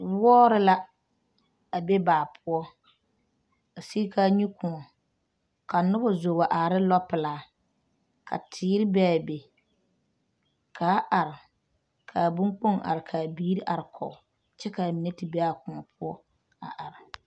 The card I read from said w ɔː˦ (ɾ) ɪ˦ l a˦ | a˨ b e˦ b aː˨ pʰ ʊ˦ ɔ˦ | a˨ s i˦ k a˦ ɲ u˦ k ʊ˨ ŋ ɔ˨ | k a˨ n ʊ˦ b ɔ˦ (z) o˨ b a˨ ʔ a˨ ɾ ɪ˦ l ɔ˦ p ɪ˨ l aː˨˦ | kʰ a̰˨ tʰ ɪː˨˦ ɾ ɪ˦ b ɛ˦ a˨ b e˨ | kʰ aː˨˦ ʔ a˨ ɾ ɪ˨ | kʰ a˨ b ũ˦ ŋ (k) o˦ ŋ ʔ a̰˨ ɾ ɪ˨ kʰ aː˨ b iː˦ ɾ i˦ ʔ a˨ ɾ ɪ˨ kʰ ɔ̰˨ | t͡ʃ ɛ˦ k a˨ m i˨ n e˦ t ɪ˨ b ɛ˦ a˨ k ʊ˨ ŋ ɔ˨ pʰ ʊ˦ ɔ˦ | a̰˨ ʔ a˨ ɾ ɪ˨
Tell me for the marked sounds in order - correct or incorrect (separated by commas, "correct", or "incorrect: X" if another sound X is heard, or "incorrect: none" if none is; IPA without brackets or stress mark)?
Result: correct, correct, incorrect: k͡p